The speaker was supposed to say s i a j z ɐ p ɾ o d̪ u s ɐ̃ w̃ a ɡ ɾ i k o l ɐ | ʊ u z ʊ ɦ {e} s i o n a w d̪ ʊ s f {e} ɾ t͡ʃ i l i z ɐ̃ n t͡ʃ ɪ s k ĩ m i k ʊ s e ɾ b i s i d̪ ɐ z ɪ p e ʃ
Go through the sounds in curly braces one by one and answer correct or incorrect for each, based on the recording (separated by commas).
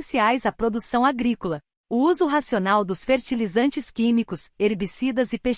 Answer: incorrect, correct